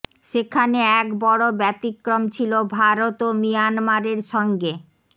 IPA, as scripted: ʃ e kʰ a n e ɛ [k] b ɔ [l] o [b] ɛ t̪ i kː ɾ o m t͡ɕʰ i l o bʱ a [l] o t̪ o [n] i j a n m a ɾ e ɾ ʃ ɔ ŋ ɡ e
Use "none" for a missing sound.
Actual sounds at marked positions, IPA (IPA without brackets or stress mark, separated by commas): k, ɽ, b, ɾ, m